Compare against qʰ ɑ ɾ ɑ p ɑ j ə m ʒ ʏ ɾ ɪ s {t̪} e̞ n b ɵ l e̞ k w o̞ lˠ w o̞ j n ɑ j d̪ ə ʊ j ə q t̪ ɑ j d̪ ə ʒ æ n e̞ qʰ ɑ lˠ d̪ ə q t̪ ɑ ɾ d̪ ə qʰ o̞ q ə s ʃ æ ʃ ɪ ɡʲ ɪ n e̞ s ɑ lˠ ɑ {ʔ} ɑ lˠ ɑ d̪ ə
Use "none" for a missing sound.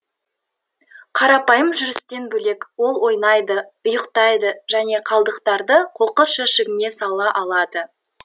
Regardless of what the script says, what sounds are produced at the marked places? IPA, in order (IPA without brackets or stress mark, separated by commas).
t̪, ʔ